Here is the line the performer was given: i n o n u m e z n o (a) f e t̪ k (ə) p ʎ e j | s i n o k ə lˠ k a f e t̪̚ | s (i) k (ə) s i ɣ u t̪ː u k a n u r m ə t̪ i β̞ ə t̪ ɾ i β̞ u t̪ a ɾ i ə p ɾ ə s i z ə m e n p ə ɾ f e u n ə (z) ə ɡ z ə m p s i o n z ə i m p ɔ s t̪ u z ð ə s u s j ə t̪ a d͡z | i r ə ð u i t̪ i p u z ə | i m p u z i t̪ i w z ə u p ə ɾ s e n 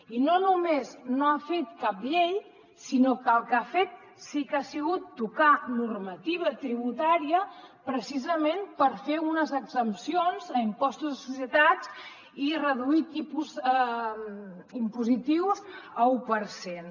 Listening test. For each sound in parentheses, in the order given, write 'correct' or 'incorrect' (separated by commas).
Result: correct, incorrect, correct, incorrect, correct